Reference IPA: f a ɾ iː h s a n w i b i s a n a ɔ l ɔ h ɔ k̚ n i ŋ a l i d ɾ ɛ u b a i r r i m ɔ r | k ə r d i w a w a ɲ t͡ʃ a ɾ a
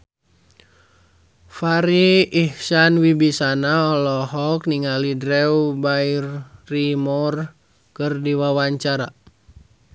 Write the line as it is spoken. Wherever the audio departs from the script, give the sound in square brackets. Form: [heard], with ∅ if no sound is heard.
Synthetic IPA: f a ɾ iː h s a n w i b i s a n a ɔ l ɔ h ɔ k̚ n i ŋ a l i d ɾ ɛ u b a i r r i m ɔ r | k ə r d i w a w a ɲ t͡ʃ a ɾ a

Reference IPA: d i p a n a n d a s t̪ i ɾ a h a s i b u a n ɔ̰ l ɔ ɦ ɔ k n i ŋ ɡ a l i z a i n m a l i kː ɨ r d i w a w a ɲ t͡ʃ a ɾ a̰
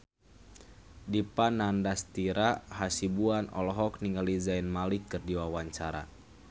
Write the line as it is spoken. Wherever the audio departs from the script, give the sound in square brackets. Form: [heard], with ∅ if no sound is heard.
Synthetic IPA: d i p a n a n d a s t̪ i ɾ a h a s i b u a n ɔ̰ l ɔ ɦ ɔ k n i ŋ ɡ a l i z a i n m a l i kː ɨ r d i w a w a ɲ t͡ʃ a ɾ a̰

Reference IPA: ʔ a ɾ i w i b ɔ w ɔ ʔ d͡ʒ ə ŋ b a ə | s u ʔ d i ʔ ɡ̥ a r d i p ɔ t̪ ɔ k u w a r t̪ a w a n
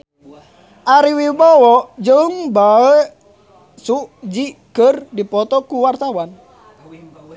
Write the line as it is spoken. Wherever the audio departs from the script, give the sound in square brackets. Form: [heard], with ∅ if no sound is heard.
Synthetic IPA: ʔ a ɾ i w i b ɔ w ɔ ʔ d͡ʒ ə ŋ b a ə | s u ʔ [d͡ʒ] i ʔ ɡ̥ [ə] r d i p ɔ t̪ ɔ k u w a r t̪ a w a n

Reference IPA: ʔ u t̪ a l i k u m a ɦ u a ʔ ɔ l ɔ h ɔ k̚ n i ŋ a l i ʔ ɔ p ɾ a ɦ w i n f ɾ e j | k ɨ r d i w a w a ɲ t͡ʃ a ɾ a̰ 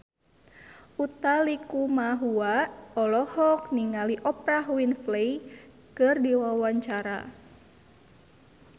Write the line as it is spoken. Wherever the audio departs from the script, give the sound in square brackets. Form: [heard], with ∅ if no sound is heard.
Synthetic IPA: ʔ u t̪ a l i k u m a ɦ u a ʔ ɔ l ɔ h ɔ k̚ n i ŋ a l i ʔ ɔ p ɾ a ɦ w i n f [l] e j | k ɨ r d i w a w a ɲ t͡ʃ a ɾ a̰

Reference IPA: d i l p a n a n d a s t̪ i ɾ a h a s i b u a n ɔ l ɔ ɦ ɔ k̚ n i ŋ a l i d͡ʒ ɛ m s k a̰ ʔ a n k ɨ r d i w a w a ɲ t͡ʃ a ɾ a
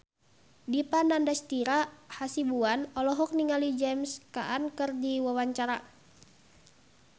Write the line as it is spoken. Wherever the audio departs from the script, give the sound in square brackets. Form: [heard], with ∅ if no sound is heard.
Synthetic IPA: d i [∅] p a n a n d a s t̪ i ɾ a h a s i b u a n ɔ l ɔ ɦ ɔ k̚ n i ŋ a l i d͡ʒ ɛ m s k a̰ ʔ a n k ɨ r d i w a w a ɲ t͡ʃ a ɾ a

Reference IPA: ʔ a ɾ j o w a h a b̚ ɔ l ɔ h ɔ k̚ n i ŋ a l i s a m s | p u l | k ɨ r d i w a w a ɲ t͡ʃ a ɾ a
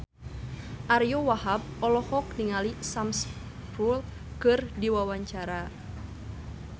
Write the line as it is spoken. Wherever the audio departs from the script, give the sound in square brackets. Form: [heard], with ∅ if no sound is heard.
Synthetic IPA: ʔ a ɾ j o w a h a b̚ ɔ l ɔ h ɔ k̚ n i ŋ a l i s a m s | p u l | k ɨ r d i w a w a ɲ t͡ʃ a ɾ a

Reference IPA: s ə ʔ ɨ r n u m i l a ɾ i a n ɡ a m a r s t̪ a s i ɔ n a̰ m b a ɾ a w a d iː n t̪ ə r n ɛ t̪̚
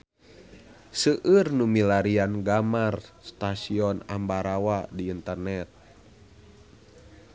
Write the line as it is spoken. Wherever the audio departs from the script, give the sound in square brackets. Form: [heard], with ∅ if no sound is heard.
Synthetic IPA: s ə ʔ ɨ r n u m i l a ɾ i a n ɡ a m a r s t̪ a s i ɔ n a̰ m b a ɾ a w a d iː n t̪ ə r n ɛ t̪̚

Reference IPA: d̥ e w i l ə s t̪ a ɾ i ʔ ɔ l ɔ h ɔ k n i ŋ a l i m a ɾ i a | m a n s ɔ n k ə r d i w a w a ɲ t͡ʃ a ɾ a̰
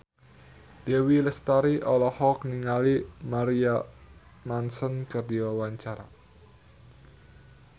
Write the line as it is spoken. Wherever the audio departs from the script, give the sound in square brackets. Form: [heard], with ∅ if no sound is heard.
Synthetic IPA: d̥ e w i l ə s t̪ a ɾ i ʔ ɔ l ɔ h ɔ k n i ŋ a l i m a ɾ i a | m a n s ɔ n k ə r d i w a w a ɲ t͡ʃ a ɾ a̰

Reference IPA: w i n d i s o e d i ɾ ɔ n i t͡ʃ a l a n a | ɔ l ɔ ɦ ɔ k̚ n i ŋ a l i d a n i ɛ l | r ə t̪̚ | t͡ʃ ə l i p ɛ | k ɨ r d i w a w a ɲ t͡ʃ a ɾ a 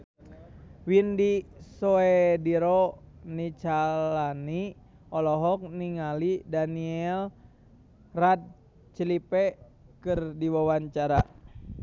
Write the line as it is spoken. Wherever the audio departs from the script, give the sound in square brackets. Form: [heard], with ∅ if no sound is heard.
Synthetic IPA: w i n d i s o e d i ɾ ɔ n i t͡ʃ a l a n [i] | ɔ l ɔ ɦ ɔ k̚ n i ŋ a l i d a n i ɛ l | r [a] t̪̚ | t͡ʃ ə l i p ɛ | k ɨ r d i w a w a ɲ t͡ʃ a ɾ a

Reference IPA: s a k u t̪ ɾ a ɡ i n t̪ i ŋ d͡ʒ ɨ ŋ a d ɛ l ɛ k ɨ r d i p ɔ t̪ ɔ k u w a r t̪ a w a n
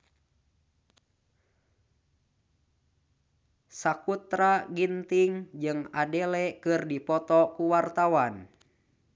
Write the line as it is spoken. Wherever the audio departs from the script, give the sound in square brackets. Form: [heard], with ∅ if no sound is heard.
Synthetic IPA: s a k u t̪ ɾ a ɡ i n t̪ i ŋ d͡ʒ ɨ ŋ a d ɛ l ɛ k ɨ r d i p ɔ t̪ ɔ k u w a r t̪ a w a n

